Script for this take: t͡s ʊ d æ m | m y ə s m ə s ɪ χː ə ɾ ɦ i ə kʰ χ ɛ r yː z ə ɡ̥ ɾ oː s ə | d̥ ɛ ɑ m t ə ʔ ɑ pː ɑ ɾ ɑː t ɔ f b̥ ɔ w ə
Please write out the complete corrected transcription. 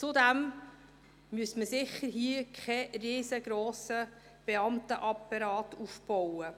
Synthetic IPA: t͡s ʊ d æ m | m y ə s m ə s ɪ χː ə ɾ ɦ i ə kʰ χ ɛ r iː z ə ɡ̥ ɾ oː s ə | b̥ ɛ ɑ m t ə ʔ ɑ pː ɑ ɾ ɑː t u f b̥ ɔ w ə